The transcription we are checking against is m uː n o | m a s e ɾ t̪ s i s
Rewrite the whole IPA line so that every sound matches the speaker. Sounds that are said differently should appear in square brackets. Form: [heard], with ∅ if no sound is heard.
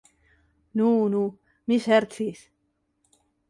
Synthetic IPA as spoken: [n] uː n [u] | m [i] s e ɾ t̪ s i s